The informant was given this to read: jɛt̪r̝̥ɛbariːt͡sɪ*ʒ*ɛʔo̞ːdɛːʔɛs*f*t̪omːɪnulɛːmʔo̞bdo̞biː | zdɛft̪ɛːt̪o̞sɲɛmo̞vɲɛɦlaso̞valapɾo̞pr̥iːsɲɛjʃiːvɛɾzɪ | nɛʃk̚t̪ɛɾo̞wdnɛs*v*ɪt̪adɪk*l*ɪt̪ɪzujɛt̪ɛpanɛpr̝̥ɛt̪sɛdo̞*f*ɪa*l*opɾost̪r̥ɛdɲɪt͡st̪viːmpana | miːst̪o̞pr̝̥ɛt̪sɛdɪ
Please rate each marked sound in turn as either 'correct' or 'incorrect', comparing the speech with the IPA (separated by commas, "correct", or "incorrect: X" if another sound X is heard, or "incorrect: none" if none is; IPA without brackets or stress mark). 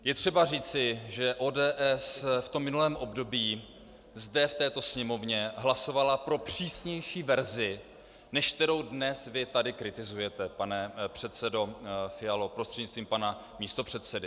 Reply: correct, correct, correct, incorrect: ɾ, correct, correct